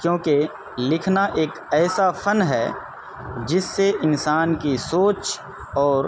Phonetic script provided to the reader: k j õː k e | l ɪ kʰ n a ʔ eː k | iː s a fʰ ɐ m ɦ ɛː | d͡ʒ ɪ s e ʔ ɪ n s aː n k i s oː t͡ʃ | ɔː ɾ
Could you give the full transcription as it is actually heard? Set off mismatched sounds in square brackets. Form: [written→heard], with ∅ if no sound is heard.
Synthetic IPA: k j õː k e | l ɪ kʰ n a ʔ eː k | [iː→ɛː] s a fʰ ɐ [m→n] ɦ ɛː | d͡ʒ ɪ [s→sː] e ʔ ɪ n s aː n k i s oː t͡ʃ | ɔː ɾ